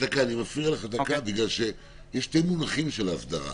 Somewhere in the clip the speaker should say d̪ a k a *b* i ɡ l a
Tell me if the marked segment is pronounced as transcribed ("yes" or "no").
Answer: yes